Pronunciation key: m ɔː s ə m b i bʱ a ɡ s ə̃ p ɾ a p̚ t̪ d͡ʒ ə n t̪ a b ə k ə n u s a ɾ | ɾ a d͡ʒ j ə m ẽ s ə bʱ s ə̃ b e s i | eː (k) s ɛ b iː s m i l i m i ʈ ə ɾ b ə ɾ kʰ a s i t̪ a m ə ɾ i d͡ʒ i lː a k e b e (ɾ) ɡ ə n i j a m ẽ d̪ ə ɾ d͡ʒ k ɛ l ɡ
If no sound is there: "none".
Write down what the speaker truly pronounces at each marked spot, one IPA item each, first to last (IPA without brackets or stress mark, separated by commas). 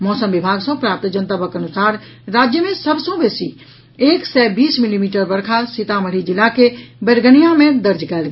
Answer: k, ɾ